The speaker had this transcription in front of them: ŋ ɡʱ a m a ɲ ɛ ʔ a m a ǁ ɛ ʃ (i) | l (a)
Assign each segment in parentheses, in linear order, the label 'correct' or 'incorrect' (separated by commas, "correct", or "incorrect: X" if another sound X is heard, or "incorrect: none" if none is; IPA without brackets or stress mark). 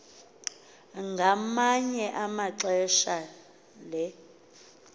incorrect: a, incorrect: ɛ